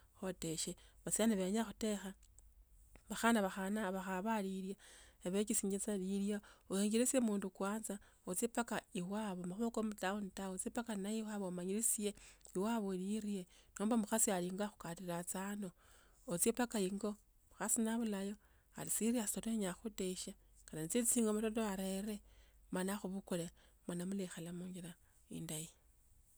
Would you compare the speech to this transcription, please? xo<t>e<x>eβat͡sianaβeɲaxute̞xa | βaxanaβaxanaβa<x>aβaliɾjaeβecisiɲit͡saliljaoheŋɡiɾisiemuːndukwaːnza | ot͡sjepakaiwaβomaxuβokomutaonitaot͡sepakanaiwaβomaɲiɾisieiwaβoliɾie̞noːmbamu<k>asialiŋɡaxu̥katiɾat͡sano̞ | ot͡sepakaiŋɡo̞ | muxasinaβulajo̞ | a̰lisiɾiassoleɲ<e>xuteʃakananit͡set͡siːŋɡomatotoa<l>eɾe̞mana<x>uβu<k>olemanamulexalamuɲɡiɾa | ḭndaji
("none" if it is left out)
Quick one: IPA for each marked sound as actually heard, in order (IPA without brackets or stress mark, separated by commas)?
t, ʃ, x, x, a, ɾ, x, k